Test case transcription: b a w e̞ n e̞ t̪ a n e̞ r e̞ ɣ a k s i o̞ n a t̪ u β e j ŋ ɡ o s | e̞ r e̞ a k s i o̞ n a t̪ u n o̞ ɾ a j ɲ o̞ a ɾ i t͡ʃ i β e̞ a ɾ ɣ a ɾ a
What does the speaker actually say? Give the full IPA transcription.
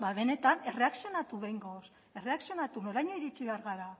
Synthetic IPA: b a β e̞ n e̞ t̪ a n e̞ r e̞ a k s i o̞ n a t̪ u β e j ŋ ɡ o s | e̞ r e̞ a k s i o̞ n a t̪ u n o̞ ɾ a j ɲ o̞ i ɾ i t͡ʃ i β e̞ a ɾ ɣ a ɾ a

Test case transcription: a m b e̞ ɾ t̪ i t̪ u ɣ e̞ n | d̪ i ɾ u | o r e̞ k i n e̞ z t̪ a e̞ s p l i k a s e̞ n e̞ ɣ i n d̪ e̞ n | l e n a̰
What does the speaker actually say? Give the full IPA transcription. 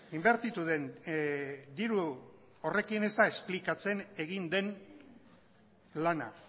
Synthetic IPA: i m b e̞ ɾ t̪ i t̪ u ð e̞ n | d̪ i ɾ u | o r e̞ k i n e̞ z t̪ a e̞ s p l i k a t͡s e̞ n e̞ ɣ i n d̪ e̞ n | l a n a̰

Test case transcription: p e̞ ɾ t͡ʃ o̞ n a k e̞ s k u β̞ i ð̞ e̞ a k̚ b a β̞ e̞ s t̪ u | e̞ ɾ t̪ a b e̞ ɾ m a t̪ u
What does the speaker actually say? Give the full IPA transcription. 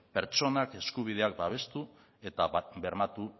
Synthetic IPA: p e̞ ɾ t͡ʃ o̞ n a k e̞ s k u β̞ i ð̞ e̞ a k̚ b a β̞ e̞ s t̪ u | e̞ t̪ a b e̞ ɾ m a t̪ u

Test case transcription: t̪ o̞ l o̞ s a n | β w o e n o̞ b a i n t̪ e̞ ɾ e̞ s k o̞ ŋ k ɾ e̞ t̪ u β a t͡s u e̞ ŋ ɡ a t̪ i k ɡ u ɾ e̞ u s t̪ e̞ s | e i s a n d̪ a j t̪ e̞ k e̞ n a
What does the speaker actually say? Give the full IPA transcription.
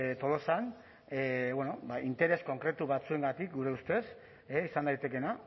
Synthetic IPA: t̪ o̞ l o̞ s a n | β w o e n o̞ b a i n t̪ e̞ ɾ e̞ s k o̞ ŋ k ɾ e̞ t̪ u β a t͡s u e̞ ŋ ɡ a t̪ i k ɡ u ɾ e̞ u s t̪ e̞ s | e i s a n d̪ a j t̪ e̞ k e̞ n a

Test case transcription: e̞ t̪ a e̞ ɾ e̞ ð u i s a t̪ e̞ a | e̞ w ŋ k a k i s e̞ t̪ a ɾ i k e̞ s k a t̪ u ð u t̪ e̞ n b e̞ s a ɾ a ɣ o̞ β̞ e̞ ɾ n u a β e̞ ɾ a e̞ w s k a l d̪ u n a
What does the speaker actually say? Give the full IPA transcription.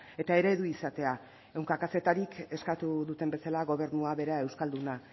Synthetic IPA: e̞ t̪ a e̞ ɾ e̞ ð u i s a t̪ e̞ a | e̞ w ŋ k a k a s e̞ t̪ a ɾ i k e̞ s k a t̪ u ð u t̪ e̞ m b e̞ s a l a ɣ o̞ β̞ e̞ ɾ n u a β e̞ ɾ a e̞ w s k a l d̪ u n a

